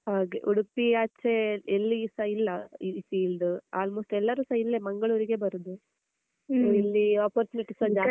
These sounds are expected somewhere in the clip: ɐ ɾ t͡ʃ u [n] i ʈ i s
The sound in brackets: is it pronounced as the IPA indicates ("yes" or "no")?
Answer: yes